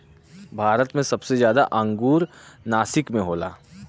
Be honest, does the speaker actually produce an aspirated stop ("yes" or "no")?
no